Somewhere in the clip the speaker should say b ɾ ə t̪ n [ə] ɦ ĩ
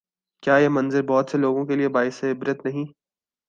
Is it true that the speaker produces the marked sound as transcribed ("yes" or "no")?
no